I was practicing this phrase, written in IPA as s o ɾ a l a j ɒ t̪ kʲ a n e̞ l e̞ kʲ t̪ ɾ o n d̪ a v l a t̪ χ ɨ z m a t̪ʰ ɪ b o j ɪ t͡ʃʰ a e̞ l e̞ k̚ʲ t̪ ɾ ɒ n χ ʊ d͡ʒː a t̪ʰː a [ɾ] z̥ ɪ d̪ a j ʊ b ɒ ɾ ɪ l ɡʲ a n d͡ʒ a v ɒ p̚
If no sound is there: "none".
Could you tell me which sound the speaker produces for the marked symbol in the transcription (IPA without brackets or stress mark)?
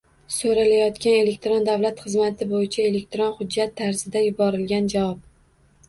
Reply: ɾ